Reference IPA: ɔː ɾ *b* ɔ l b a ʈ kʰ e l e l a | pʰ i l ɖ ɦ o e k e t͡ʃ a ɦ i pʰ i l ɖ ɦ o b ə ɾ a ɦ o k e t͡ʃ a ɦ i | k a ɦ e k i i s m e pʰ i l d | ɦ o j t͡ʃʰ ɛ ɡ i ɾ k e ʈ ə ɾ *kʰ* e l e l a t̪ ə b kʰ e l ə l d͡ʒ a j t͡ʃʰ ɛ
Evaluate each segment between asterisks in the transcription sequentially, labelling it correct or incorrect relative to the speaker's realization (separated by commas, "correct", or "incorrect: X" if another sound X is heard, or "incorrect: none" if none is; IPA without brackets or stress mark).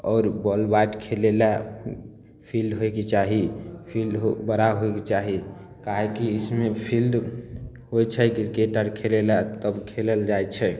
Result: correct, correct